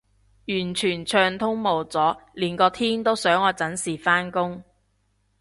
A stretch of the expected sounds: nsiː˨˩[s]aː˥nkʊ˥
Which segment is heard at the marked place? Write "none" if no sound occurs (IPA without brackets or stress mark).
f